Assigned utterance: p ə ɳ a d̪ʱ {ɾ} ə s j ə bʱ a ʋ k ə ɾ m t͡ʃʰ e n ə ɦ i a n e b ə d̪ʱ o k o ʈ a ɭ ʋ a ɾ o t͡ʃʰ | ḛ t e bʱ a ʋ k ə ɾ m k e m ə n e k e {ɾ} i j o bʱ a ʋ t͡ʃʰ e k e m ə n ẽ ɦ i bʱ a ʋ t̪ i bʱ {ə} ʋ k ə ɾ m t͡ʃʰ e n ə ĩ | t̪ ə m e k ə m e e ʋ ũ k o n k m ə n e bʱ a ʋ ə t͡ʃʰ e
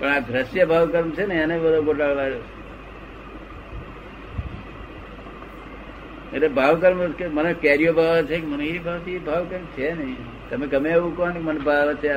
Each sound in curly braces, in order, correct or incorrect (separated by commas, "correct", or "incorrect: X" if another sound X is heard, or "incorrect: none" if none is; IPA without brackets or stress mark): correct, correct, incorrect: a